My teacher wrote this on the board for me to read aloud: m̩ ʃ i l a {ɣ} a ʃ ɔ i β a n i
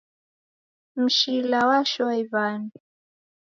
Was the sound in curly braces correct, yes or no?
no